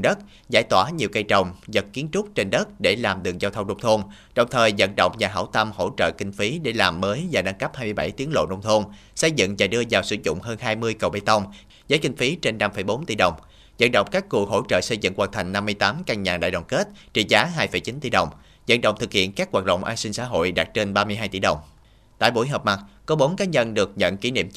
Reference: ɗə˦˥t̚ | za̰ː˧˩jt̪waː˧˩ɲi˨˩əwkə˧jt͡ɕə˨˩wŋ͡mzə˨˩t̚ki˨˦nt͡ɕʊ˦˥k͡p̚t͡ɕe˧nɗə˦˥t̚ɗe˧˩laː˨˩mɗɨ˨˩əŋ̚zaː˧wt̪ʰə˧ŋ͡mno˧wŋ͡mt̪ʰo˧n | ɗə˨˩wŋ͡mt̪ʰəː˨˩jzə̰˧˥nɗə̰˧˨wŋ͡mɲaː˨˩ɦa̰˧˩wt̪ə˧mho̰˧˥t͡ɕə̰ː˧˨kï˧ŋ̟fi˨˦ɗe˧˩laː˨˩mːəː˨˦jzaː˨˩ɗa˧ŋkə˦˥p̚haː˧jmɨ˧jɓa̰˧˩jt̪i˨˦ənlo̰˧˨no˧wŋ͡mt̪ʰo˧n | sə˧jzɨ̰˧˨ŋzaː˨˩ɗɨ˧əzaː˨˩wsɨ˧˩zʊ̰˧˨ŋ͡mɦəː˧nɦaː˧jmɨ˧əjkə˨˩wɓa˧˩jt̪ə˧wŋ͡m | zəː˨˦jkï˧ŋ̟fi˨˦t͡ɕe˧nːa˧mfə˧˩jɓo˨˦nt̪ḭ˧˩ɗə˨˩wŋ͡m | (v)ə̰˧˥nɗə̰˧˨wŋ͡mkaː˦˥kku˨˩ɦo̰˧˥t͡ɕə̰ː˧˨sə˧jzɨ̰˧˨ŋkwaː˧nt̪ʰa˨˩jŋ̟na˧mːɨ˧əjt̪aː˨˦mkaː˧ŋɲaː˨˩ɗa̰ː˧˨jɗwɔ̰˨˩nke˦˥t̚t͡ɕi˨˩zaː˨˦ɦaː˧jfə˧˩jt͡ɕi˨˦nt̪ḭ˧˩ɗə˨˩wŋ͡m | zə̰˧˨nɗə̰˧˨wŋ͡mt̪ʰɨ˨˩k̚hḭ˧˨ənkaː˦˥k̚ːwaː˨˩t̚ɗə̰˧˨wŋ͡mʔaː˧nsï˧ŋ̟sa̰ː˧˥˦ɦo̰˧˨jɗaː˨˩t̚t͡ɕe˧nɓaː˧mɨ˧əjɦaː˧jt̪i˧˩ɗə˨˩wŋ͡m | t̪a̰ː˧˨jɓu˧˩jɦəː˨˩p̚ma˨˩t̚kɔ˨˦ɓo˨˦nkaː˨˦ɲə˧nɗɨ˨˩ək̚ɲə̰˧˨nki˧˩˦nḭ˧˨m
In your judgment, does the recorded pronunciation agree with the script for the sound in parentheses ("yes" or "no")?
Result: no